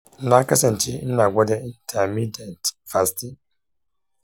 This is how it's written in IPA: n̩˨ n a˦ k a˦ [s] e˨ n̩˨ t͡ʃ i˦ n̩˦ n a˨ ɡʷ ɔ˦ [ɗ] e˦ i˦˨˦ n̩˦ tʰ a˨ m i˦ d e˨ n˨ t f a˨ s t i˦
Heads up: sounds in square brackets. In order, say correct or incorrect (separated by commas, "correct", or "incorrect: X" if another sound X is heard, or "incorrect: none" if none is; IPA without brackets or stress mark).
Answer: correct, incorrect: d